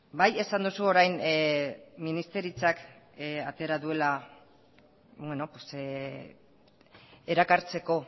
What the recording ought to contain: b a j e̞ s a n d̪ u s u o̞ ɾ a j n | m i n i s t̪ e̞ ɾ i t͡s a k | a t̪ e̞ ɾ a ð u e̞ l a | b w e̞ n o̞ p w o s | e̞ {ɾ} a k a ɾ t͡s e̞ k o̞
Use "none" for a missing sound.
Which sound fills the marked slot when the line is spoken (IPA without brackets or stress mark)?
ɾ